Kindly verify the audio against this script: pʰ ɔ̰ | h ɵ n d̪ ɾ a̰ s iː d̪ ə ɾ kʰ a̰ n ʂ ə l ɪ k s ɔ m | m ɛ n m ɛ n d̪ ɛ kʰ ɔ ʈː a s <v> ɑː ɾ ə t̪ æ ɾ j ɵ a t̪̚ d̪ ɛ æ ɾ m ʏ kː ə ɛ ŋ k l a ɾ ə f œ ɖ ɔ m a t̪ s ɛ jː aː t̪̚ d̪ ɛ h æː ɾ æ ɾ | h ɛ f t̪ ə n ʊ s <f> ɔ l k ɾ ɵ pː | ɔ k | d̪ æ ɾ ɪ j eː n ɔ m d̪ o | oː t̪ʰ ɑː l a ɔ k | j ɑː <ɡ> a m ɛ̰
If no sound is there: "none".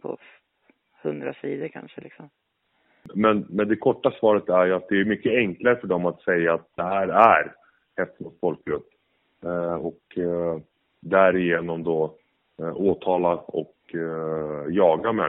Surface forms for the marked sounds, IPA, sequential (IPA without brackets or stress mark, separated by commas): v, f, ɡ